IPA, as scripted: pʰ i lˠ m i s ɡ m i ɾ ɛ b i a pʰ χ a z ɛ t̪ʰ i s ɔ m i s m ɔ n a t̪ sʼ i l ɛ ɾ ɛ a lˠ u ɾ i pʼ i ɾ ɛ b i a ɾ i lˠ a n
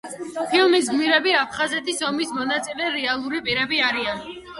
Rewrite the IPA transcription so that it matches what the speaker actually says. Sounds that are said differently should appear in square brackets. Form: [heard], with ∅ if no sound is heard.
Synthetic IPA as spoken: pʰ i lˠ m i s ɡ m i ɾ ɛ b i a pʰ χ a z ɛ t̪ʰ i s ɔ m i s m ɔ n a t̪ sʼ i l ɛ ɾ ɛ a lˠ u ɾ i pʼ i ɾ ɛ b i a ɾ i [∅] a n